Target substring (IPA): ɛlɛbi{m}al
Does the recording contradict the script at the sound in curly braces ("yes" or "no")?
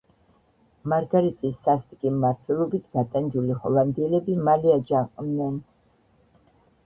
no